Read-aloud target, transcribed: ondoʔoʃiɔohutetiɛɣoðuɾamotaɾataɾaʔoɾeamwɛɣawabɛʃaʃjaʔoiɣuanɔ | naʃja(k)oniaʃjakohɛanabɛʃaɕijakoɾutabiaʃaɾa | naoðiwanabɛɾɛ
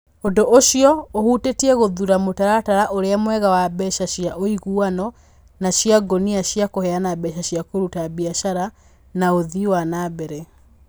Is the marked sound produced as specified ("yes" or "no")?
no